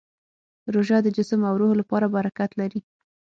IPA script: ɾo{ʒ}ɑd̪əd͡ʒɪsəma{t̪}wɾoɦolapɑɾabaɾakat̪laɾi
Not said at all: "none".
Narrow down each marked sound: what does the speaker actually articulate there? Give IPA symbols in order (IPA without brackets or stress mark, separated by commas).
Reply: ʒ, none